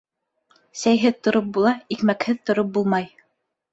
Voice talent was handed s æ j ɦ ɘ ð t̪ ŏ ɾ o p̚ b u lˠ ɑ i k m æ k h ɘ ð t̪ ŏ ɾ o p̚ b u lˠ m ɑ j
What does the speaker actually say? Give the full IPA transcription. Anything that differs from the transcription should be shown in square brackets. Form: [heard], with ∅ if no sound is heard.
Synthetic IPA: s æ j ɦ ɘ ð t̪ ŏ ɾ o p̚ b u lˠ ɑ i k m æ k h ɘ ð t̪ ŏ ɾ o p̚ b u lˠ m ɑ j